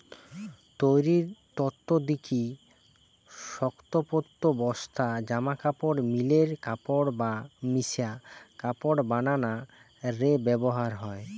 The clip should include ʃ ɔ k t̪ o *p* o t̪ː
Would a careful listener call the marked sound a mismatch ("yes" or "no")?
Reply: no